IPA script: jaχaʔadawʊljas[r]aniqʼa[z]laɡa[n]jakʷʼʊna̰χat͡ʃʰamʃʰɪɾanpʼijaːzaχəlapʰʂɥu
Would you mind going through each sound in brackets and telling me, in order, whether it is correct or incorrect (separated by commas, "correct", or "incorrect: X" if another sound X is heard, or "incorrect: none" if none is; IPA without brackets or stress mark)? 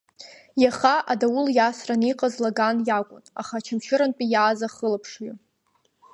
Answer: correct, correct, correct